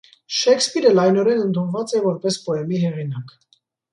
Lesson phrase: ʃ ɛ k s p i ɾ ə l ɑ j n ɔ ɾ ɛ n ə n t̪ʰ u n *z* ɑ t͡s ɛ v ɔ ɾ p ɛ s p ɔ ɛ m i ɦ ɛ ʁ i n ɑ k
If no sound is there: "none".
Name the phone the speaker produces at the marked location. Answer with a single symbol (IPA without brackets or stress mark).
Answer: v